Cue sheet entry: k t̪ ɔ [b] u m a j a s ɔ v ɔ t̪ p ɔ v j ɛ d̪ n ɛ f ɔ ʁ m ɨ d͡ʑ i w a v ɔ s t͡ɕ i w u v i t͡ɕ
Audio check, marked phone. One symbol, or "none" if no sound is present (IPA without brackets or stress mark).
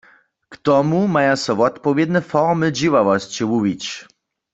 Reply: m